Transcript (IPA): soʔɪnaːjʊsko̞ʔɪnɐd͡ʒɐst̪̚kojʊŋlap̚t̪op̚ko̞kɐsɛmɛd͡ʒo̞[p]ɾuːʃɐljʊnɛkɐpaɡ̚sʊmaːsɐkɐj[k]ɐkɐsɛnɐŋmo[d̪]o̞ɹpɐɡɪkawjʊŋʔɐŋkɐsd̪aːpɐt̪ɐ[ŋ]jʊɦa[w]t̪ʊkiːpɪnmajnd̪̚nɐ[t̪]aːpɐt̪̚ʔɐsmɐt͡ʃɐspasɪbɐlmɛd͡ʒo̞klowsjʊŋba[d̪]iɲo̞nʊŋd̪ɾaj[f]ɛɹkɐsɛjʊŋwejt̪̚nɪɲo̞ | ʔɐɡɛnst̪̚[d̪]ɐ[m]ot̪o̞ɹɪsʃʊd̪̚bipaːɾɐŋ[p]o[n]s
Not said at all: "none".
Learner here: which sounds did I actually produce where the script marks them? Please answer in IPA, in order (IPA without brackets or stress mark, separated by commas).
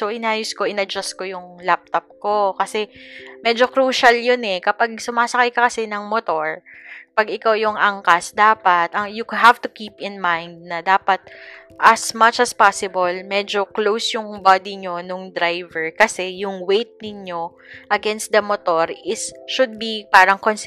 k, k, t̪, ŋ, v, d̪, d̪, v, d̪, m, k, n